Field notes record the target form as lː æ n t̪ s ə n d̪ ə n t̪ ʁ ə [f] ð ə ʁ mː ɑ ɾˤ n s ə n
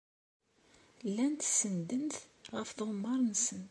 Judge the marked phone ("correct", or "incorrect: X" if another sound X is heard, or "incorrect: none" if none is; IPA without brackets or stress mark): correct